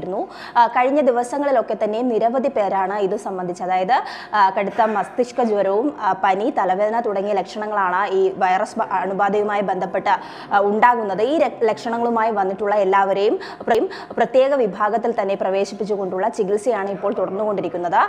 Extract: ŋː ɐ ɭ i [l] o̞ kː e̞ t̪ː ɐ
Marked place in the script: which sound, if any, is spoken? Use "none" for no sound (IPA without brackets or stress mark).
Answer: l